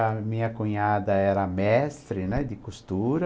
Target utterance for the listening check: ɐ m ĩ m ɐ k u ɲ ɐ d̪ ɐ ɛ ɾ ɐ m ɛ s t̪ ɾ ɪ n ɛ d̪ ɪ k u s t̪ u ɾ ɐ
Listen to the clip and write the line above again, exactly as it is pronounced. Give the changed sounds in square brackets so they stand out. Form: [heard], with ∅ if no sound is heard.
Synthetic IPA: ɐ m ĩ [ɲ] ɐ k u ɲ [a] d̪ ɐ ɛ ɾ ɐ m ɛ s t̪ ɾ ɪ n ɛ d̪ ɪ k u s t̪ u ɾ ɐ